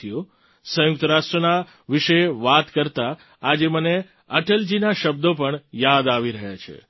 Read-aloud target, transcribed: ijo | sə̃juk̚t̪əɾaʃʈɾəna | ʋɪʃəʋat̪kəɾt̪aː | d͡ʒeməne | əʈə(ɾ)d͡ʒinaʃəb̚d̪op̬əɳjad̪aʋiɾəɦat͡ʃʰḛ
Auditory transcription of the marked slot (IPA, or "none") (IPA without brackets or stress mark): l